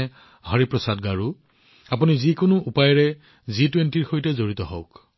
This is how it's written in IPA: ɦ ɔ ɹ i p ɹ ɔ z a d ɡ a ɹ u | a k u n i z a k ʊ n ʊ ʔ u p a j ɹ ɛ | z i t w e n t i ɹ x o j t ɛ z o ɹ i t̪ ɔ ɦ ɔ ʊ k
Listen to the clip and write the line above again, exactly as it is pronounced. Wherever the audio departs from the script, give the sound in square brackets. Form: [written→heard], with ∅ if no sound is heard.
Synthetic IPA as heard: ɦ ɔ ɹ i p ɹ ɔ [z→s] a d ɡ a ɹ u | a [k→p] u n i z [a→i] k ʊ n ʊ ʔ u p a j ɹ ɛ | z i t w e n t i ɹ x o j t ɛ z o ɹ i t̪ ɔ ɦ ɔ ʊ k